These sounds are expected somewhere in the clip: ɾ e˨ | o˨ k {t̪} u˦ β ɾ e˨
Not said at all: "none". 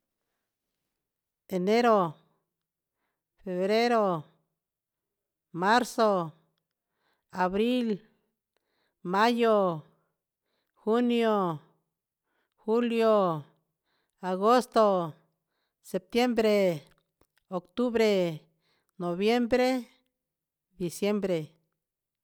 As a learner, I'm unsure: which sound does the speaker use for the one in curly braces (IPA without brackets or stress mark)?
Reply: t̪